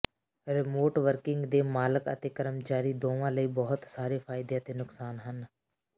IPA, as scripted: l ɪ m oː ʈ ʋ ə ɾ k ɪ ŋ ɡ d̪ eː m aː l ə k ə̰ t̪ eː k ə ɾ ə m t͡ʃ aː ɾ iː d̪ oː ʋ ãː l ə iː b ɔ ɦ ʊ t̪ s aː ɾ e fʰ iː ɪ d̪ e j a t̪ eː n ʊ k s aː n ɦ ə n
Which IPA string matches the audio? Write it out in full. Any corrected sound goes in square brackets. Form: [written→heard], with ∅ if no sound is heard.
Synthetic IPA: [l→ɾ] ɪ m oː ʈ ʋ ə ɾ k ɪ ŋ ɡ d̪ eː m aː l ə k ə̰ t̪ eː k ə ɾ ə m t͡ʃ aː ɾ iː d̪ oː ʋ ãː l ə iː b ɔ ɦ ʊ t̪ s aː ɾ e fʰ [iː→aː] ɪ d̪ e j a t̪ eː n ʊ k s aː n ɦ ə n